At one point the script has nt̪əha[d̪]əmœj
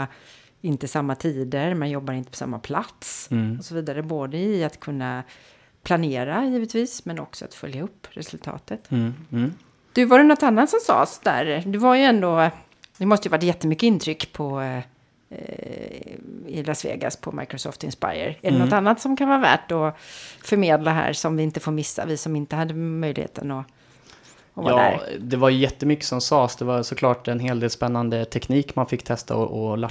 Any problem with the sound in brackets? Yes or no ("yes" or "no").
yes